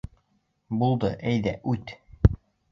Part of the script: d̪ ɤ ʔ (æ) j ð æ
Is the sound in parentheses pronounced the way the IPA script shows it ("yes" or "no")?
yes